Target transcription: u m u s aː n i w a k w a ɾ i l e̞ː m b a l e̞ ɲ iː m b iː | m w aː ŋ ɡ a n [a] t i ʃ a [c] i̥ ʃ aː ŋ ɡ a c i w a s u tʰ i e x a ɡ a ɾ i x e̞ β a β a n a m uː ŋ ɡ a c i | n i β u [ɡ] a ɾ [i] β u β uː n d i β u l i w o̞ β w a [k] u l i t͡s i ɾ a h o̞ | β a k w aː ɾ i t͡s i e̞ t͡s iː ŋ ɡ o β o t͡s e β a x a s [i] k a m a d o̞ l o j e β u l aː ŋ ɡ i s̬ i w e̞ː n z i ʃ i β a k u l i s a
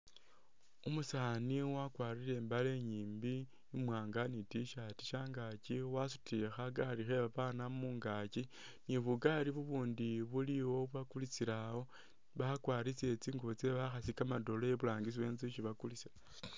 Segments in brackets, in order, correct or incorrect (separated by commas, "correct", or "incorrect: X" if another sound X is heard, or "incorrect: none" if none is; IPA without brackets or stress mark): incorrect: i, incorrect: t, correct, correct, correct, correct